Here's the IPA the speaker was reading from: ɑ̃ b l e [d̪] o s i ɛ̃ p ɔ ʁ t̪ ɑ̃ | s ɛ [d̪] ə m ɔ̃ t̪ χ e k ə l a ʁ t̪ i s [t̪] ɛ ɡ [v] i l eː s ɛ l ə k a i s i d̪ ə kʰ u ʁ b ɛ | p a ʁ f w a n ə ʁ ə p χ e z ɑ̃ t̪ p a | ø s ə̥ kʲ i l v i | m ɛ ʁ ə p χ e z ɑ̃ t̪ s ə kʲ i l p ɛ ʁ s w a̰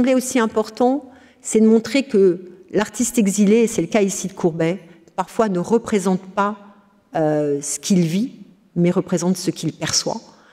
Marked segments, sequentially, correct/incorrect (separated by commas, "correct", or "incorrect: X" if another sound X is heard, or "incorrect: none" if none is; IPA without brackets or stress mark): incorrect: none, correct, correct, incorrect: z